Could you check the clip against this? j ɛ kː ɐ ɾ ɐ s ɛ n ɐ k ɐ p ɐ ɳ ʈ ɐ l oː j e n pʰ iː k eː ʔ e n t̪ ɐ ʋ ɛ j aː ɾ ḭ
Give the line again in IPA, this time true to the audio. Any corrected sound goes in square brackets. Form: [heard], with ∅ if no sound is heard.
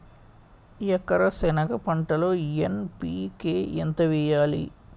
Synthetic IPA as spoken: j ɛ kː ɐ ɾ ɐ s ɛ n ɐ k ɐ p ɐ ɳ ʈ ɐ l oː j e n [p] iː k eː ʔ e n t̪ ɐ ʋ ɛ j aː [l] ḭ